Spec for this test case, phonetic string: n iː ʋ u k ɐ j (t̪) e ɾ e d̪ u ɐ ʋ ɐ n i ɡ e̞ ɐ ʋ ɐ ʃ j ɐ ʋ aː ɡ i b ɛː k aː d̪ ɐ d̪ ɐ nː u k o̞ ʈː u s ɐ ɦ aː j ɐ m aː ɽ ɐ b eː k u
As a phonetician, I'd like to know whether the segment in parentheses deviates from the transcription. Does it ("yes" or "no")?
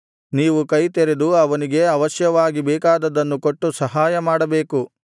no